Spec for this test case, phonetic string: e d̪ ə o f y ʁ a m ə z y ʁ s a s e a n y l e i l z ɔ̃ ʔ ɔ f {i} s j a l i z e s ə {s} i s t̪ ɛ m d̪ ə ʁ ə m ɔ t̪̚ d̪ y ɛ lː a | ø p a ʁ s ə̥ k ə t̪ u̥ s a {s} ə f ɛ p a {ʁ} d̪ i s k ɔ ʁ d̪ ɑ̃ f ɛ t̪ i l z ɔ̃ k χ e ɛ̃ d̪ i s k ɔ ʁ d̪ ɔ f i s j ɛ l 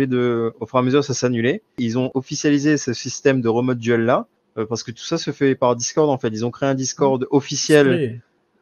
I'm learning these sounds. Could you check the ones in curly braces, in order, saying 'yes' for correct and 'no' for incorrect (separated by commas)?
yes, yes, yes, yes